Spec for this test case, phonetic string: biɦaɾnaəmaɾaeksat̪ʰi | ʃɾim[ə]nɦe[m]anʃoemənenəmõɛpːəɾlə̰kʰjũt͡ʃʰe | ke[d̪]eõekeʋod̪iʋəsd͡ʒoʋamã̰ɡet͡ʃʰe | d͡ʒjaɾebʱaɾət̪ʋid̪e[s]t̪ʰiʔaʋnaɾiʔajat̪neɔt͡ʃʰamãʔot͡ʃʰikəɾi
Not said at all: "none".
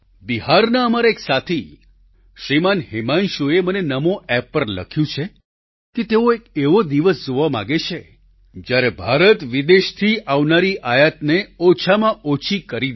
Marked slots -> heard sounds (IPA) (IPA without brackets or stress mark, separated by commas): a, m, t̪, ʃ